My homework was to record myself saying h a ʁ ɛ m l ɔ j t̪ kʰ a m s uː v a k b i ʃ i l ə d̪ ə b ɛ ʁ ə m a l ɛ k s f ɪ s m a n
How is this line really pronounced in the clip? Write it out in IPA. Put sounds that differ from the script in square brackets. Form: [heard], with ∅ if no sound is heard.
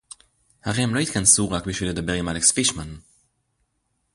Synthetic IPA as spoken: h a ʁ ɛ m l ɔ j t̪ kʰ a [n] s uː [ʁ] a k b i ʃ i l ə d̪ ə b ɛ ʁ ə m a l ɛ k s f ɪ [ʃ] m a n